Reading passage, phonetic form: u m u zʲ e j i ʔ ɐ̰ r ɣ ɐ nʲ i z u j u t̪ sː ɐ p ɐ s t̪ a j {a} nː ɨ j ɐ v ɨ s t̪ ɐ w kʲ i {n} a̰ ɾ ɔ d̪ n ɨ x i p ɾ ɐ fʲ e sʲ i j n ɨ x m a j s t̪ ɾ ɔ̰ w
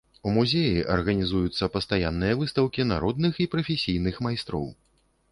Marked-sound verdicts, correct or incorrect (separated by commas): correct, correct